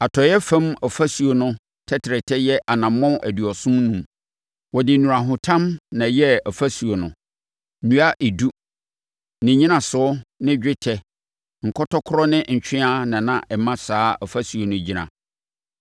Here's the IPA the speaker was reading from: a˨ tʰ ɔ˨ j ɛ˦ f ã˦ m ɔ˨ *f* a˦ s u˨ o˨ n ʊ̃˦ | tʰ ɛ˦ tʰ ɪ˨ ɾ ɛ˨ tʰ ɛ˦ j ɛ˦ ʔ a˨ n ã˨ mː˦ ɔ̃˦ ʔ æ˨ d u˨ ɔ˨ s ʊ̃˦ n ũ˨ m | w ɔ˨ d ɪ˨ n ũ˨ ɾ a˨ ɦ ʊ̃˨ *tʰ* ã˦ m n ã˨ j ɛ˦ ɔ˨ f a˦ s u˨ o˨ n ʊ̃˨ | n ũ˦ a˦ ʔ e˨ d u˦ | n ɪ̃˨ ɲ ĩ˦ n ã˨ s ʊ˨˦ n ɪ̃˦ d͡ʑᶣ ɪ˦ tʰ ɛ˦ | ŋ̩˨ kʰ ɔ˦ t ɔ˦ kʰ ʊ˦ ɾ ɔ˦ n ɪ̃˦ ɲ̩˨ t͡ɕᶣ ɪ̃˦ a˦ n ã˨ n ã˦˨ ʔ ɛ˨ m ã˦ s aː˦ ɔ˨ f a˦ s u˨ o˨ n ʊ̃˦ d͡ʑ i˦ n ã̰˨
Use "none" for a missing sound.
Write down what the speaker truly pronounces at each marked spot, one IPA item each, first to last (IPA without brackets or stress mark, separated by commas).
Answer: f, tʰ